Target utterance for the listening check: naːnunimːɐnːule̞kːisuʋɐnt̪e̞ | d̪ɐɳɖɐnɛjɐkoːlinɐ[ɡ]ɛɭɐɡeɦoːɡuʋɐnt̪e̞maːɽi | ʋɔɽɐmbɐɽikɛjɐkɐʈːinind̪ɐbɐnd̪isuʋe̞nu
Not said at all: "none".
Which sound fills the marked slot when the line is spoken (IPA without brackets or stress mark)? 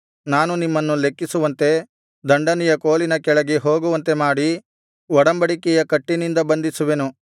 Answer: k